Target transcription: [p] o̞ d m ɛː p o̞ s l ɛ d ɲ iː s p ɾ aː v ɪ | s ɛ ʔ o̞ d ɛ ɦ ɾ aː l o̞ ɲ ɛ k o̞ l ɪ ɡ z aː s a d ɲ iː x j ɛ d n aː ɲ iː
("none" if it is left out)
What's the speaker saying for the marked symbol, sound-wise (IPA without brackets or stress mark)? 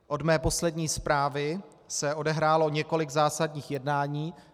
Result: ʔ